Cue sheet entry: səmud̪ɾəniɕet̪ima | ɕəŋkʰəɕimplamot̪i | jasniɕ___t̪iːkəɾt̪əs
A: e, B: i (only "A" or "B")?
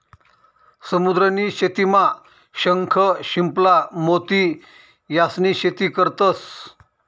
A